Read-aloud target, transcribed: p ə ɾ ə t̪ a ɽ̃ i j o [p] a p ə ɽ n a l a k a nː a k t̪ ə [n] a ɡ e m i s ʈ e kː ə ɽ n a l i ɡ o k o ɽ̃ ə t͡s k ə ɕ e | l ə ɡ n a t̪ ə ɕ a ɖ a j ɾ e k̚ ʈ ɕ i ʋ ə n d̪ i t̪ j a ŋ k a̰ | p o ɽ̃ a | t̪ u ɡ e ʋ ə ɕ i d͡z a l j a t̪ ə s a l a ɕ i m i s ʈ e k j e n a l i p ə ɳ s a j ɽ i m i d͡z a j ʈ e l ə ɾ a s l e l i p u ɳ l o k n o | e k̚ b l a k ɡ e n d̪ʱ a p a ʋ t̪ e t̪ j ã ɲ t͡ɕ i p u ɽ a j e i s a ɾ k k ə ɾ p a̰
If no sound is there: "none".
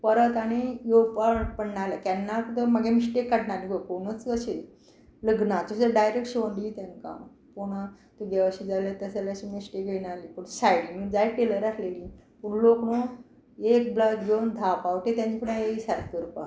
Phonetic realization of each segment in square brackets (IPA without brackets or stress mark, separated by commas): p, m